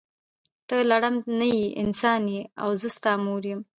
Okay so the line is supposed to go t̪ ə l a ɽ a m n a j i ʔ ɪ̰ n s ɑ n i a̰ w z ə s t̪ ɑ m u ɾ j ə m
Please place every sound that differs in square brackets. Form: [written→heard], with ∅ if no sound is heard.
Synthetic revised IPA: t̪ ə l a ɽ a m n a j i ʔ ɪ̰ n s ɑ n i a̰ w z ə s t̪ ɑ m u ɾ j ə m